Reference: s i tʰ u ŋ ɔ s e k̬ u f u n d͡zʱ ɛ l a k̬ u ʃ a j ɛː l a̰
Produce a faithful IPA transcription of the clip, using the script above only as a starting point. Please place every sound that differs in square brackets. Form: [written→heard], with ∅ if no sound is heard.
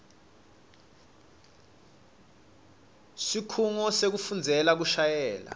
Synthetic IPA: s i [tʰ→kʰ] u ŋ ɔ s e k̬ u f u n d͡zʱ ɛ l a k̬ u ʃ a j ɛː l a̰